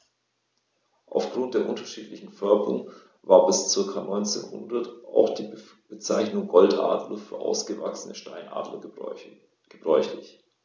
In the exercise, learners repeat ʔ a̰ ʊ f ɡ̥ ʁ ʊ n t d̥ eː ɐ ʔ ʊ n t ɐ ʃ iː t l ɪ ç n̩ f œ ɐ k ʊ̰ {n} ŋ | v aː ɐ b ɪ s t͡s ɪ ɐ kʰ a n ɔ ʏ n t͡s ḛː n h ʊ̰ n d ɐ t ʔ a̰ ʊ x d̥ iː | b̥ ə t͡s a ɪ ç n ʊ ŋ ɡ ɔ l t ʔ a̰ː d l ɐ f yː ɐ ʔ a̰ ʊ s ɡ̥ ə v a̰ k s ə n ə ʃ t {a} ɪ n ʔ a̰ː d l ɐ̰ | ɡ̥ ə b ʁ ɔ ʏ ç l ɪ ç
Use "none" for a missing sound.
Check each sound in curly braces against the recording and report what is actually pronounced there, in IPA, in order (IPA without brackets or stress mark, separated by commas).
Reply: none, a